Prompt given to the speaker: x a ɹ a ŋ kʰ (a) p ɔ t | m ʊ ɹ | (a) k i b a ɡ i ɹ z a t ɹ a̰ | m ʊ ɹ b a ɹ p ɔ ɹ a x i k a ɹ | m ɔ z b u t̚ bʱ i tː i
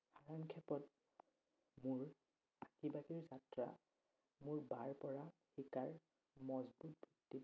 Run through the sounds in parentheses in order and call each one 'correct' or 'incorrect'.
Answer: incorrect: ɛ, correct

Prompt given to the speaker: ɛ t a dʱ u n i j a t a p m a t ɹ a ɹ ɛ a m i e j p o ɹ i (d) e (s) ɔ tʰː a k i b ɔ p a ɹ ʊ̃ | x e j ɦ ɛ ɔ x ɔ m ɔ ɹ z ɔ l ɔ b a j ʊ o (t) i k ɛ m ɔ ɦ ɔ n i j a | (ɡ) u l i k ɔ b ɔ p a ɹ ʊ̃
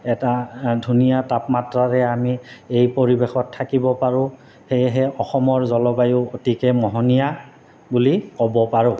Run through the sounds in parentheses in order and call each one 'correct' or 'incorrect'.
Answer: incorrect: b, incorrect: x, correct, incorrect: b

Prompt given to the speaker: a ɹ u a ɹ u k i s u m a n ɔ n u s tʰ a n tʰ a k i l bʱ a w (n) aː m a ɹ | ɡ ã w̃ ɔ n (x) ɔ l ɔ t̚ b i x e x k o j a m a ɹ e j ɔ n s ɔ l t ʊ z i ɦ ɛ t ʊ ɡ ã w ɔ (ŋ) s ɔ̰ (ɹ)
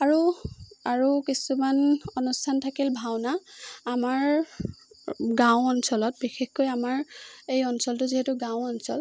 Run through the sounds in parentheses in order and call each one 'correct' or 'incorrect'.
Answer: correct, incorrect: s, incorrect: n, incorrect: l

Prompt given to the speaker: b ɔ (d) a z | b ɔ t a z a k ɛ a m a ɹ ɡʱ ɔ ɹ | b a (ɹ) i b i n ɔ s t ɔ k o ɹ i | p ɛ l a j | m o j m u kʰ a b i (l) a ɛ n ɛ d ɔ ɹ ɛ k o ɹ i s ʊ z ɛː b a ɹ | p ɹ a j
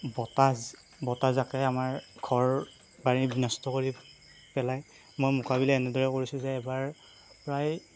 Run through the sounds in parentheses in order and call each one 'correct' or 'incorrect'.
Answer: incorrect: t, correct, correct

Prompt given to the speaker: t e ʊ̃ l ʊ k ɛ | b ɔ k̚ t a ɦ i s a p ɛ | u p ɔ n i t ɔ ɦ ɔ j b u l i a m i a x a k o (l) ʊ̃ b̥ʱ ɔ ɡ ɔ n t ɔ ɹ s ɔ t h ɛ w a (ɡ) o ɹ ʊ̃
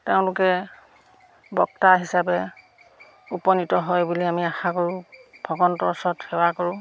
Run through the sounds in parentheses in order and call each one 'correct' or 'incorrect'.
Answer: incorrect: ɹ, incorrect: k

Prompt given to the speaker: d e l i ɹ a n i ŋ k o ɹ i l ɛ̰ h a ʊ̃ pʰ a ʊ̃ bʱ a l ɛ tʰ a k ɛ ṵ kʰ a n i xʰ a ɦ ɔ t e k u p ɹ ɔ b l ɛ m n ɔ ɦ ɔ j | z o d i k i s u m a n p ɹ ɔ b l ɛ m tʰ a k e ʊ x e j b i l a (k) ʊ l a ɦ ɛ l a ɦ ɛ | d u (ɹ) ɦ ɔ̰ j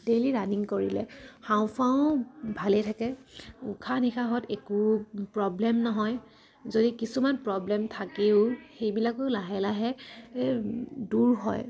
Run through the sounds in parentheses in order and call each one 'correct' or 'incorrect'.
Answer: correct, correct

